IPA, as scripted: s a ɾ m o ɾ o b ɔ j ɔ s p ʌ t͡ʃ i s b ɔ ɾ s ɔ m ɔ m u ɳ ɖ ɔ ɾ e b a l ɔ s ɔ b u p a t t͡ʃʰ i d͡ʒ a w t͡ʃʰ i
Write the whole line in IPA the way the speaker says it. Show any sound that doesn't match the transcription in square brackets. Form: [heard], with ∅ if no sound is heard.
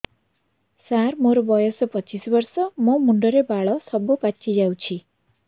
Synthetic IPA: s a ɾ m o ɾ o b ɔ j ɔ s p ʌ t͡ʃ i s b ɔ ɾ s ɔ m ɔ m u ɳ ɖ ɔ ɾ e b a [ɭ] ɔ s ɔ b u p a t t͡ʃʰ i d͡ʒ a w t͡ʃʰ i